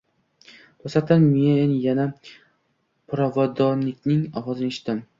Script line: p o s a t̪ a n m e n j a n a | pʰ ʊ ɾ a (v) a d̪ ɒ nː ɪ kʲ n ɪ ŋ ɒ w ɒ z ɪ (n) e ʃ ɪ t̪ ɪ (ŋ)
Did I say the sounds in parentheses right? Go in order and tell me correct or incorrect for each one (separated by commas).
correct, correct, incorrect